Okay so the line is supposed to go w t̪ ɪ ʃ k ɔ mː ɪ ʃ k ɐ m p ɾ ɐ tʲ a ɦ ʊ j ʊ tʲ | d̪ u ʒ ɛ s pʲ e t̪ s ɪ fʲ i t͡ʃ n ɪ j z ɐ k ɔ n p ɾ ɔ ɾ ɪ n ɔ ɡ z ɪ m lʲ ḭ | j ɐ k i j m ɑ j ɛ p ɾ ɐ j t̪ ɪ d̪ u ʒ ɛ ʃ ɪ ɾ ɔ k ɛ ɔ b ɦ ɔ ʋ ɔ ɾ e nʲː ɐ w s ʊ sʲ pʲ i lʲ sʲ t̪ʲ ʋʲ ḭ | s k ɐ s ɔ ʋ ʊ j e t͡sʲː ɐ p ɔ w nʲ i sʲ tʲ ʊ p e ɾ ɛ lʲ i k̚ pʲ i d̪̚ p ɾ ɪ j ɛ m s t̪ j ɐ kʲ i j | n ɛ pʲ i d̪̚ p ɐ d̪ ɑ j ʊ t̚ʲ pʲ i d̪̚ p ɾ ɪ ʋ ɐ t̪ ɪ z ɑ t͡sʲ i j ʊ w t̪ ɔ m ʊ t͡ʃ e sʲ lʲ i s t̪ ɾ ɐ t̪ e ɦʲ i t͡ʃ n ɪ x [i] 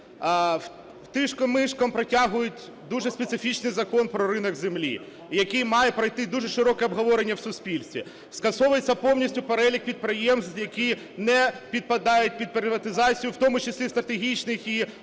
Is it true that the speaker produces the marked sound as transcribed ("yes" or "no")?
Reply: yes